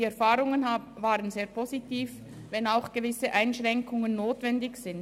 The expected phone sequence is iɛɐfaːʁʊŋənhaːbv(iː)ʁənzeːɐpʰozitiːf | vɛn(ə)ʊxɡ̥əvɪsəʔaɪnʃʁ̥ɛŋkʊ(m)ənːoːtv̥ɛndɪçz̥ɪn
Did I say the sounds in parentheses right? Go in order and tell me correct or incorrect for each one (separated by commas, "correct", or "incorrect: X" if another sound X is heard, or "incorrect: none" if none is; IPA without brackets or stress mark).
incorrect: aː, incorrect: a, incorrect: ŋ